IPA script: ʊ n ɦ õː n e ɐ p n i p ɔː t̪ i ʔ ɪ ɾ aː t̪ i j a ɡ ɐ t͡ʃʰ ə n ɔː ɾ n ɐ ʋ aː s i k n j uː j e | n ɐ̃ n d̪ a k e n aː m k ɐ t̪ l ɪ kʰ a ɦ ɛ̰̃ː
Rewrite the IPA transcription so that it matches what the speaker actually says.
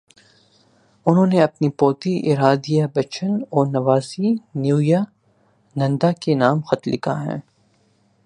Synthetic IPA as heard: ʊ n ɦ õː n e ɐ p n i p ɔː t̪ i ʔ ɪ ɾ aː d̪ i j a b ɐ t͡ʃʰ ə n ɔː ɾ n ɐ ʋ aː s i n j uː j a | n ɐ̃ n d̪ a k e n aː m x ɐ t̪ l ɪ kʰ a ɦ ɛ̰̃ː